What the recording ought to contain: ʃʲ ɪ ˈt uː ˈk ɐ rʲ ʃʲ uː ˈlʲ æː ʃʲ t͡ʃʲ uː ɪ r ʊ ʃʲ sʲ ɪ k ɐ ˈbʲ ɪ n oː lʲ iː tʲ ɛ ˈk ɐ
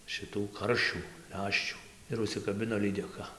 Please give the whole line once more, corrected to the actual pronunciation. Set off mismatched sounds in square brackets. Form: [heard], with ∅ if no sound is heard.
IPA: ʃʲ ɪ ˈt uː ˈk ɐ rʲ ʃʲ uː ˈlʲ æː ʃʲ t͡ʃʲ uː ɪ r ʊ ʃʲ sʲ ɪ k ɐ ˈbʲ ɪ n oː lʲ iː [dʲ] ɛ ˈk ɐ